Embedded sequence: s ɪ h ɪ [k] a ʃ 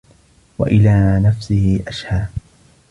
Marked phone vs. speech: incorrect: ʔ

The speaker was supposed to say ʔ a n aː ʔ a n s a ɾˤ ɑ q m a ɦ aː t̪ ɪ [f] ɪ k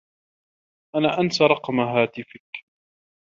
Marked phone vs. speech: correct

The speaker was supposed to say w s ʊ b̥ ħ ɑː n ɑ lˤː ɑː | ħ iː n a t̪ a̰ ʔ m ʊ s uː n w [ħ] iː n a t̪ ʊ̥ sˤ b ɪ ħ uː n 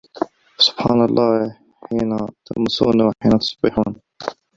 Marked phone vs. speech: correct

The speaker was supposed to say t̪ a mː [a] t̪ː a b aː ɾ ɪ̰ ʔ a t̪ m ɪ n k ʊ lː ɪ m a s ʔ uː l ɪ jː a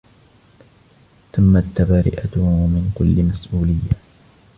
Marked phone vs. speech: correct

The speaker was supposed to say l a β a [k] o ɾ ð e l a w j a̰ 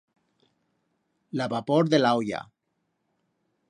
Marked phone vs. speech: incorrect: p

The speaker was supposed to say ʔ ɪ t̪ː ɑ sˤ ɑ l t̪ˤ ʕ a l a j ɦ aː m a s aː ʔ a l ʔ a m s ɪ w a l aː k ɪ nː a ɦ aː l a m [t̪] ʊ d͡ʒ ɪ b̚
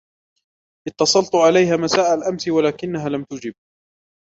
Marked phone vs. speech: correct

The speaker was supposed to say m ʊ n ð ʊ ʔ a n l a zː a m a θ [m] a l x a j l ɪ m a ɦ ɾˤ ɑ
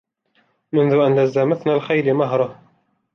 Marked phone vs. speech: incorrect: n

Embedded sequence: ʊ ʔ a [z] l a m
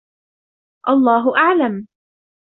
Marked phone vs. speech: incorrect: ʕ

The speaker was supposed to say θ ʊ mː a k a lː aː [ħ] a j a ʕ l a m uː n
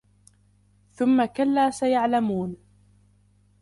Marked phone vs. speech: incorrect: s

